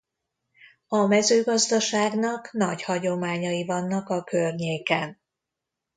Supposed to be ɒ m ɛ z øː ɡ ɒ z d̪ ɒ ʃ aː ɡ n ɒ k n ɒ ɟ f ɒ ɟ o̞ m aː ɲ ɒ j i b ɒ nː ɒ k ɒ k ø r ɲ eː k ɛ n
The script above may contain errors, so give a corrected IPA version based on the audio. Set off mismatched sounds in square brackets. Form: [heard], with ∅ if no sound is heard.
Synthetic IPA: ɒ m ɛ z øː ɡ ɒ z d̪ ɒ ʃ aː ɡ n ɒ k n ɒ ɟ [h] ɒ ɟ o̞ m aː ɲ ɒ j i [v] ɒ nː ɒ k ɒ k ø r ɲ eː k ɛ n